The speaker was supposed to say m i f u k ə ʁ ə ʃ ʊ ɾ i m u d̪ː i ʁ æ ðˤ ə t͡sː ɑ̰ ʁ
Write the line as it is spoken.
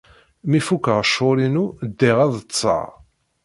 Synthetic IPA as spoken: m i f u k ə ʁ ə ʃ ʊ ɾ i n u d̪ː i ʁ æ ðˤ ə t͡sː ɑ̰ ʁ